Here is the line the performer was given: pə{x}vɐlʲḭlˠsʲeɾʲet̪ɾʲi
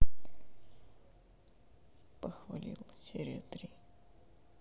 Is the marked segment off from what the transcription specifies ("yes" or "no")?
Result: no